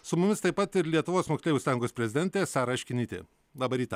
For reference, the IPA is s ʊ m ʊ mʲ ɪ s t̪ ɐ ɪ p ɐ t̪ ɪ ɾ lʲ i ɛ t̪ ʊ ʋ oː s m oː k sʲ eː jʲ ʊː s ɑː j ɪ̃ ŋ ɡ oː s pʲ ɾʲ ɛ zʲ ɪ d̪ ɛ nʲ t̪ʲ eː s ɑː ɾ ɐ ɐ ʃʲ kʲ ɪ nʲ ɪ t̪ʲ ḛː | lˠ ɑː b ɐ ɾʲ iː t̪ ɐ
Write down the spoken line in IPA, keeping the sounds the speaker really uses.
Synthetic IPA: s ʊ m ʊ mʲ ɪ s t̪ ɐ ɪ p ɐ t̪ ɪ ɾ lʲ i ɛ t̪ ʊ ʋ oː s m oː k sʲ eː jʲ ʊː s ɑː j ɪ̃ ŋ ɡ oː s pʲ ɾʲ ɛ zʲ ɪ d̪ ɛ nʲ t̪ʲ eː s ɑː ɾ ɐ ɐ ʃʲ kʲ ɪ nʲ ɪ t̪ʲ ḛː | lˠ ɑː b ɐ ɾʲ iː t̪ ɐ